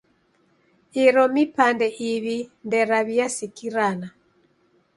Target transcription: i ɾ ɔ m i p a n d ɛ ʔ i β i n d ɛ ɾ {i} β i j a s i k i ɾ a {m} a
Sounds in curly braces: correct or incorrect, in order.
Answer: incorrect: a, incorrect: n

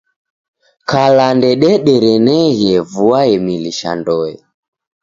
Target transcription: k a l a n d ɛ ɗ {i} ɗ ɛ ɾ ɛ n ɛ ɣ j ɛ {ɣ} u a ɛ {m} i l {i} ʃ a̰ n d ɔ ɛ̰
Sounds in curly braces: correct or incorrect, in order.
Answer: incorrect: ɛ, incorrect: v, correct, correct

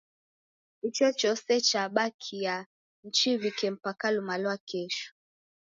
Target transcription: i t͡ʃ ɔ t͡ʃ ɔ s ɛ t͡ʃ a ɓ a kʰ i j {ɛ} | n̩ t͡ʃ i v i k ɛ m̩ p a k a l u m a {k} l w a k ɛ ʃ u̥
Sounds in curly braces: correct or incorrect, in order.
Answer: incorrect: a, incorrect: none

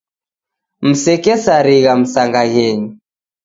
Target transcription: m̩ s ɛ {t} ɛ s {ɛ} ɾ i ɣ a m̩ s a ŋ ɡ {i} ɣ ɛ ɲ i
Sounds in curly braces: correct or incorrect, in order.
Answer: incorrect: k, incorrect: a, incorrect: a

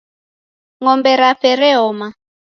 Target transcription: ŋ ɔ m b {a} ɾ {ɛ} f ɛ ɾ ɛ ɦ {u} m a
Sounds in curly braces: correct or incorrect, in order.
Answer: incorrect: ɛ, incorrect: a, incorrect: ɔ

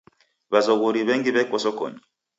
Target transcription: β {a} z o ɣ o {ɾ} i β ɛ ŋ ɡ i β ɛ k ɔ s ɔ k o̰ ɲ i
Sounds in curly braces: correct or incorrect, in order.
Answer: correct, correct

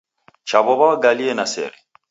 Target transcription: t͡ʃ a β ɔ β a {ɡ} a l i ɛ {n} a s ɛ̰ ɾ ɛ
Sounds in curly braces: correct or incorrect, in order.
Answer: correct, correct

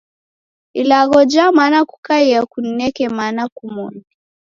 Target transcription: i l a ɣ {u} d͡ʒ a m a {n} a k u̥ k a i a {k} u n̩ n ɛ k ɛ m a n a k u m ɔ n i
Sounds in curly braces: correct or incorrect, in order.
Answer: incorrect: ɔ, correct, correct

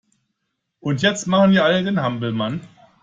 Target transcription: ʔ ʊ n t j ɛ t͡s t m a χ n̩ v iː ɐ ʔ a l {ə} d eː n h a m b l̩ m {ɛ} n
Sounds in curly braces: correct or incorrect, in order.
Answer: correct, incorrect: a

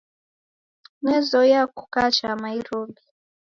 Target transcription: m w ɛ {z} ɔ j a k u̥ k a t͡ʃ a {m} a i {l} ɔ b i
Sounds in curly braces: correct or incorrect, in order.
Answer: correct, correct, incorrect: ɾ

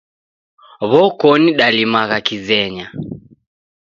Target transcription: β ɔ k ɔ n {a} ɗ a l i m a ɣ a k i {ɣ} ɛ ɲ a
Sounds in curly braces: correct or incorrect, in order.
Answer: incorrect: i, incorrect: z

